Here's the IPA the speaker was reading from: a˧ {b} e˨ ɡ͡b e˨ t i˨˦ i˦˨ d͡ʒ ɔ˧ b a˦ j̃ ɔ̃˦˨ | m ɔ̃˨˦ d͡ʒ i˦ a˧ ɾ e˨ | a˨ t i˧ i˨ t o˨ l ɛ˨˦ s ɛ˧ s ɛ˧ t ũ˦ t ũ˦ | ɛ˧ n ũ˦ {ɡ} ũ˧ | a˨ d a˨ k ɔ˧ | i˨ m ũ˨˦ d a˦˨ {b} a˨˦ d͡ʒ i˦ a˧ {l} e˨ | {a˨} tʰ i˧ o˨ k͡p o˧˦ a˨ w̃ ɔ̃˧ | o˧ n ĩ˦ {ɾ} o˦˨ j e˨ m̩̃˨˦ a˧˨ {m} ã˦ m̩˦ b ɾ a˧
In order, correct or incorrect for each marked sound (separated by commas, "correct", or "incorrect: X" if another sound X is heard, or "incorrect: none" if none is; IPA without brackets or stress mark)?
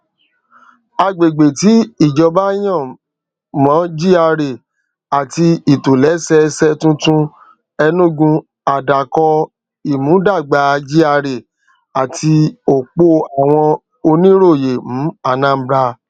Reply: incorrect: ɡ͡b, correct, incorrect: ɡ͡b, incorrect: ɾ, correct, correct, incorrect: n